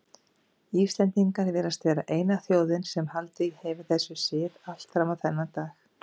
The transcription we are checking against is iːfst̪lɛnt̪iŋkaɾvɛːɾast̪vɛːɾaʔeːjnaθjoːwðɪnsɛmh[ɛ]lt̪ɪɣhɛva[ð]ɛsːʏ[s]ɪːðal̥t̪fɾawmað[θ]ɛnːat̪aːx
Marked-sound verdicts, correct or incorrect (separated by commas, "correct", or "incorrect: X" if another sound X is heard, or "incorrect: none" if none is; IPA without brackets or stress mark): incorrect: a, incorrect: θ, correct, correct